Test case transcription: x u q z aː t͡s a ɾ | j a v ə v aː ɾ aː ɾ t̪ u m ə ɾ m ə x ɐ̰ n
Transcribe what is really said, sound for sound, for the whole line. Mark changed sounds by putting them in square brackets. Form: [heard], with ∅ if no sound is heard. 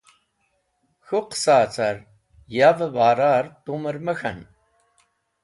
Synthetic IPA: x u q [s] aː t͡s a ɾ | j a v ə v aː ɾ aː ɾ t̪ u m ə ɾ m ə x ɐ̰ n